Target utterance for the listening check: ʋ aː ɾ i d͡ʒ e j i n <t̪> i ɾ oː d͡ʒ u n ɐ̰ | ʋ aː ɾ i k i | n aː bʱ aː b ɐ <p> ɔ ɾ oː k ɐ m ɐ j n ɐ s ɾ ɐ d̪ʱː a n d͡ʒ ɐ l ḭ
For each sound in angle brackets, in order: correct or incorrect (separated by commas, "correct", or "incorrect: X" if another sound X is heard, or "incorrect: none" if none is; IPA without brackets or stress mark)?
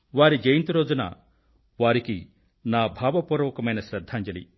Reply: correct, correct